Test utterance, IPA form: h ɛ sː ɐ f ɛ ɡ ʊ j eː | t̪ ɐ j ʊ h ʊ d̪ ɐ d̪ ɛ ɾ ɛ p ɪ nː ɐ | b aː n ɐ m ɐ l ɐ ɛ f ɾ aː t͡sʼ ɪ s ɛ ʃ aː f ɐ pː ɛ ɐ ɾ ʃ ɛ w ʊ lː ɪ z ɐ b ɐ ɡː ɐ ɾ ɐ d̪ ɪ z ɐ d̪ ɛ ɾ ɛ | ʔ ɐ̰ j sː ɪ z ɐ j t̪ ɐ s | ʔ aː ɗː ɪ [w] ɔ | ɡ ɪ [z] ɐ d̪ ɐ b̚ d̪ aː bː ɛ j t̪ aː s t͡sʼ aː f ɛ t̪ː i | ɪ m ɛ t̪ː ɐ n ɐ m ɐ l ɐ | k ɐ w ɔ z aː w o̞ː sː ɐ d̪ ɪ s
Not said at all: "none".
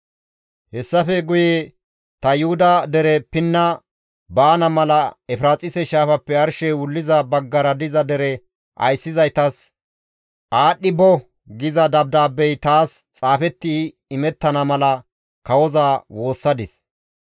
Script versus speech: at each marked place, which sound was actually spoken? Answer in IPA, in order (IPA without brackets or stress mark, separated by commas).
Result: b, z